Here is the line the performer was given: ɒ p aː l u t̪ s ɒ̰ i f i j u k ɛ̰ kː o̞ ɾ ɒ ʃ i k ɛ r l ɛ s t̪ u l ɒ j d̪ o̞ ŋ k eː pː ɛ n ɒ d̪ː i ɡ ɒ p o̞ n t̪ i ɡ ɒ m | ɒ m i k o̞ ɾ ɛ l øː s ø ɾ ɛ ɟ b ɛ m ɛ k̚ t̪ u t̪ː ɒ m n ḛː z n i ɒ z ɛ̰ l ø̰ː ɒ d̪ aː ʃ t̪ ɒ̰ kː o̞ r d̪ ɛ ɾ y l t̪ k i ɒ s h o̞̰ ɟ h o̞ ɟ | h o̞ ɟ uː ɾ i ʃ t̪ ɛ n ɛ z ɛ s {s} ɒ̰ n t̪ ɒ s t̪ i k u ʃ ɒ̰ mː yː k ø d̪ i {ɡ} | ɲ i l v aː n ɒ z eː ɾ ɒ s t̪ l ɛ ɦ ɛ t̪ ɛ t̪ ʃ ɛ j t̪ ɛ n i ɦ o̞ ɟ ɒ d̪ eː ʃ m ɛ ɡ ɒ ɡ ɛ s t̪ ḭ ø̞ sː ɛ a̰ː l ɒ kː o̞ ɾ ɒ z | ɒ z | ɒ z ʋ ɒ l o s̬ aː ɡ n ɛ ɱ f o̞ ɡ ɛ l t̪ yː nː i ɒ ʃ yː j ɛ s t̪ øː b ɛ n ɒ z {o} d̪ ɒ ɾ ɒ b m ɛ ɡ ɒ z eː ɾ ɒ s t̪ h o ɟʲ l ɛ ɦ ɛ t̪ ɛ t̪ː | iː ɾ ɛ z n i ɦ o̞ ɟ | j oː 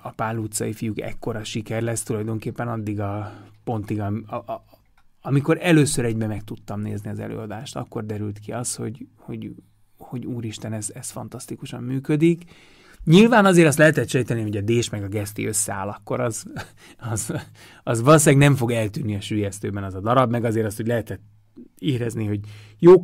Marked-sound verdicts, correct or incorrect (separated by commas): incorrect, incorrect, incorrect